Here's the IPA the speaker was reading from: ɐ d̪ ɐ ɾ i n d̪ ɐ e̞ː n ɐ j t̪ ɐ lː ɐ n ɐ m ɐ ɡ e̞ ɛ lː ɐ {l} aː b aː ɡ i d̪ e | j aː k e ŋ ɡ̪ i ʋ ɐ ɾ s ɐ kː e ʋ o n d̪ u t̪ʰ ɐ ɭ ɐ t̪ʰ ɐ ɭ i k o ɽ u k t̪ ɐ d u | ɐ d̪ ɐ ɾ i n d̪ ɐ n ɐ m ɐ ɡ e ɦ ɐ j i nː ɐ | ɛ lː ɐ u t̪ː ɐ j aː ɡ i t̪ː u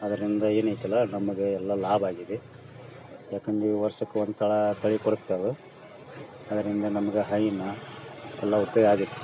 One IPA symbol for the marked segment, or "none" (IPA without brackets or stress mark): l